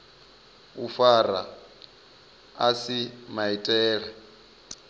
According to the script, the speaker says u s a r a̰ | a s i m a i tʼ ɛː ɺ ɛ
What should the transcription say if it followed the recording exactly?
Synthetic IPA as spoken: u f a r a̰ | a s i m a i tʼ ɛː ɺ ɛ